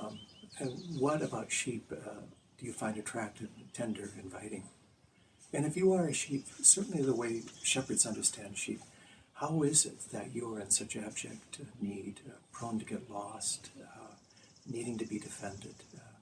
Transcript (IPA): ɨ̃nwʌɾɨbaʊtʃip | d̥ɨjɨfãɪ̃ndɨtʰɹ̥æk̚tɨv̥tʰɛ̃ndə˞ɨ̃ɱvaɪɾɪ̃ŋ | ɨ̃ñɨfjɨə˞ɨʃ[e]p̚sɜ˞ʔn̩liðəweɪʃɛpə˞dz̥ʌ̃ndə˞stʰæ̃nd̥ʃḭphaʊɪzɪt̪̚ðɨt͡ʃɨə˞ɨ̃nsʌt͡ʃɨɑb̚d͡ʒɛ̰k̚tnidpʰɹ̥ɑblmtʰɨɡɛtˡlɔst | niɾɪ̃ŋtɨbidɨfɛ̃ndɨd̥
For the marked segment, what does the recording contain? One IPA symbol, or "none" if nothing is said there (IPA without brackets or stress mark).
i